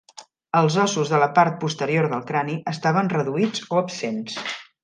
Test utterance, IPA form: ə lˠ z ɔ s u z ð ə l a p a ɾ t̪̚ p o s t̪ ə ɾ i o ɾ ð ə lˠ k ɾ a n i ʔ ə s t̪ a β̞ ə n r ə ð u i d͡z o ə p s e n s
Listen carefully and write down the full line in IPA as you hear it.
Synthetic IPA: ə lˠ z ɔ s u z ð ə l ə p a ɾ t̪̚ p u s t̪ ə ɾ i o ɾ ð ə lˠ k ɾ a n i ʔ ə s t̪ a β̞ ə n r ə ð u i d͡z o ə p s e n s